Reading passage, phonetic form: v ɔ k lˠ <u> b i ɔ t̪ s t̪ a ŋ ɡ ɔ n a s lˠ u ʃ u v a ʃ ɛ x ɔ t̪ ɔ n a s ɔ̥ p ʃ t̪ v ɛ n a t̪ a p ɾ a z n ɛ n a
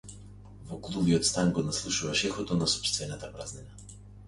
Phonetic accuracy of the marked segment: correct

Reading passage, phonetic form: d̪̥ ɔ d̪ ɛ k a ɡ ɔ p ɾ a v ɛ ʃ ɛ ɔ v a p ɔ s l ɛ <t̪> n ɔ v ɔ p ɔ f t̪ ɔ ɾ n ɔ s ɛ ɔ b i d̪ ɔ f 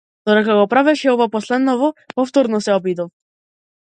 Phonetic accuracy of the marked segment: incorrect: d̪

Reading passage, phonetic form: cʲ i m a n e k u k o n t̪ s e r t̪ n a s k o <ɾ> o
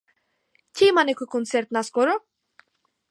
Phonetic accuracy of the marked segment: correct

